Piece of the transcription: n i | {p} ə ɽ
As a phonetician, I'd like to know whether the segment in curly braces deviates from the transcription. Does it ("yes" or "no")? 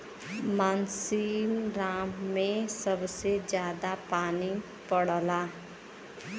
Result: no